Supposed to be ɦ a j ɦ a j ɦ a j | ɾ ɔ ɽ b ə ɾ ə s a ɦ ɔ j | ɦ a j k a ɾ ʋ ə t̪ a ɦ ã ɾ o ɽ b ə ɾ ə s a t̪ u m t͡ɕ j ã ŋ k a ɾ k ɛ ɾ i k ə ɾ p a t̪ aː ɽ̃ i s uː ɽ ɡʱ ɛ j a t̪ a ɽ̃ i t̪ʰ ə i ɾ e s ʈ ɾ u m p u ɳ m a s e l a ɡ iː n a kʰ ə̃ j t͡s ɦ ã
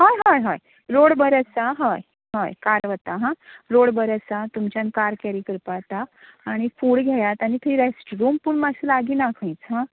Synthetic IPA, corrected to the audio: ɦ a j ɦ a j ɦ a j | ɾ o ɽ b ə ɾ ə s a ɦ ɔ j | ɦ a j k a ɾ ʋ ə t̪ a ɦ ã ɾ o ɽ b ə ɾ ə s a t̪ u m t͡ɕ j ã n k a ɾ k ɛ ɾ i k ə ɾ p a t̪ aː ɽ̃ i f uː ɽ ɡʱ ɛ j a t̪ a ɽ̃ i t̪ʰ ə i ɾ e s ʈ ɾ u m p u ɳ m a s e l a ɡ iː n a kʰ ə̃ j t͡s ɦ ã